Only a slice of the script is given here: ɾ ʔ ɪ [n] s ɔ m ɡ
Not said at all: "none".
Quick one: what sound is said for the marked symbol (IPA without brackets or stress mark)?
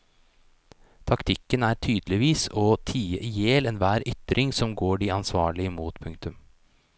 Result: ŋ